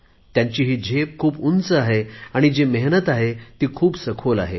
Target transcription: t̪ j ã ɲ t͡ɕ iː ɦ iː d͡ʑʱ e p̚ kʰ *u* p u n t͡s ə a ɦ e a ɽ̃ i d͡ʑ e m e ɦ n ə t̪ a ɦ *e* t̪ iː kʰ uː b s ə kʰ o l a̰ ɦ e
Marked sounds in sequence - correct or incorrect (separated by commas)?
incorrect, correct